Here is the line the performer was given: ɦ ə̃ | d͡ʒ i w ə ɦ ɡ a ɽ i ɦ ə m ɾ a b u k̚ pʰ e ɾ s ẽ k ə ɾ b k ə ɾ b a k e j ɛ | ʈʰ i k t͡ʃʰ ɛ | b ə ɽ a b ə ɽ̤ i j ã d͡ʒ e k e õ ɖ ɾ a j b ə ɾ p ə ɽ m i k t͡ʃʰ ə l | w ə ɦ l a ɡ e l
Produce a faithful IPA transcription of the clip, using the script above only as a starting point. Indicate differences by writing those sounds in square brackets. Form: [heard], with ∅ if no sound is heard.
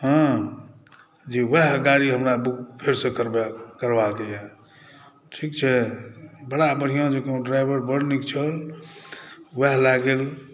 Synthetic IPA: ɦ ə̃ | d͡ʒ i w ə ɦ ɡ a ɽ i ɦ ə m ɾ a b u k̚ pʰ e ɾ s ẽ k ə ɾ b k ə ɾ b a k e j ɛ | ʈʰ i k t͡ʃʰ ɛ | b ə ɽ a b ə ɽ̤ i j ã d͡ʒ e k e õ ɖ ɾ a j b ə ɾ [b] ə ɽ [n] i k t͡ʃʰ ə l | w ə ɦ l a ɡ e l